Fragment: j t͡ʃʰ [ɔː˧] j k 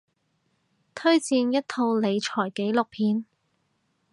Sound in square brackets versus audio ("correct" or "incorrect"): incorrect